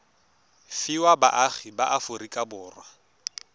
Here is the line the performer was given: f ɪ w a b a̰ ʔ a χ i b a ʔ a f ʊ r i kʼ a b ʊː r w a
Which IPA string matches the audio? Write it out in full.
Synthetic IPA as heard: f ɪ w a b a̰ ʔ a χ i b a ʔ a f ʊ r i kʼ a b ʊː r w a